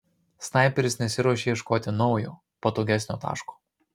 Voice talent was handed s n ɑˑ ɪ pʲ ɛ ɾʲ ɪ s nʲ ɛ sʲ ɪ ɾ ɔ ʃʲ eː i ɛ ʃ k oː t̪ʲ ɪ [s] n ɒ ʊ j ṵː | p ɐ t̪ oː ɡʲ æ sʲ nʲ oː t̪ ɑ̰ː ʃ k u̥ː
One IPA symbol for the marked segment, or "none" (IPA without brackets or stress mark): none